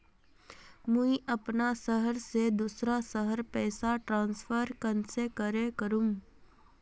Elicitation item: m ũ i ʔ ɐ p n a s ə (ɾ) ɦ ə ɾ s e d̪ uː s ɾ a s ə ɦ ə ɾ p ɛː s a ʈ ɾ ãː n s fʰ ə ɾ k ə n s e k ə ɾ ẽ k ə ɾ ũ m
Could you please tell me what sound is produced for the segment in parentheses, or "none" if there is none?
none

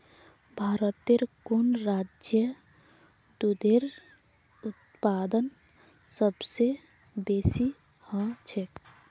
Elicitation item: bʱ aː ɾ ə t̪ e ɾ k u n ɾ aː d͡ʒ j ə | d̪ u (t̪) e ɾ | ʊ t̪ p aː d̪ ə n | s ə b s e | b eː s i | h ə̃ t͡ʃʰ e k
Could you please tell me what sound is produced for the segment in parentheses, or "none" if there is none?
d̪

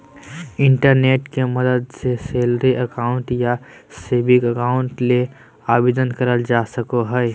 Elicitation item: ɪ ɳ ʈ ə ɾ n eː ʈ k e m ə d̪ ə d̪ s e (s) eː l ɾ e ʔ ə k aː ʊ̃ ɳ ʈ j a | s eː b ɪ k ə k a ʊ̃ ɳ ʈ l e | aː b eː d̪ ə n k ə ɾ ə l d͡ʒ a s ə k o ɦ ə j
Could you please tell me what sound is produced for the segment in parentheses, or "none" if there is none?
s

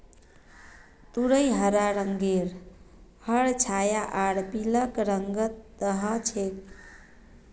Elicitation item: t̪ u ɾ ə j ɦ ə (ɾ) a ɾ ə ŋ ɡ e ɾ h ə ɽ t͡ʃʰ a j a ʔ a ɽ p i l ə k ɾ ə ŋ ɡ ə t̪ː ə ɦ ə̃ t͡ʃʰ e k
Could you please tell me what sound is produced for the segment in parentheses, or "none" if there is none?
ɾ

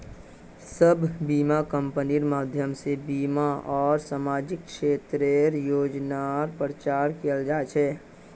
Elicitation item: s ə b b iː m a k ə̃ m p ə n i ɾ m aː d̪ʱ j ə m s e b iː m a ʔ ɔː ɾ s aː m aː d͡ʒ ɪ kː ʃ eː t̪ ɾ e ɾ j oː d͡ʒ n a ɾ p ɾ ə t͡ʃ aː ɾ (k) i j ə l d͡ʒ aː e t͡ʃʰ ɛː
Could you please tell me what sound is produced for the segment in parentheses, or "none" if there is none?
k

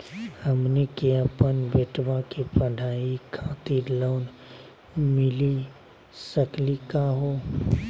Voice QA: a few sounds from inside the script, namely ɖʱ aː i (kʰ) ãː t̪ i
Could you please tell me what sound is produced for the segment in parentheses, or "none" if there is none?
kʰ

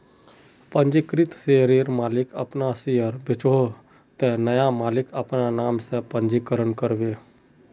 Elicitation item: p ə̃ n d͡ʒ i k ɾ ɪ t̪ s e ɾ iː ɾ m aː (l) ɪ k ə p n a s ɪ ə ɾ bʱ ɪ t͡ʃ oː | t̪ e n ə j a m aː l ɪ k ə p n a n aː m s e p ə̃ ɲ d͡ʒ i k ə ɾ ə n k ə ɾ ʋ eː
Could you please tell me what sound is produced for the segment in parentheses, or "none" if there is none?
l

